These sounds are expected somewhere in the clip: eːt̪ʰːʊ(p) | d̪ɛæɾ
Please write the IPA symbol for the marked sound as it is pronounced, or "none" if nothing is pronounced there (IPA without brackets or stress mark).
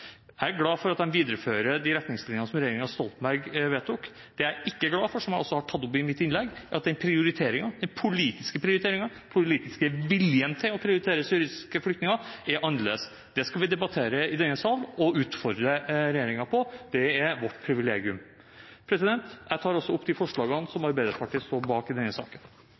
k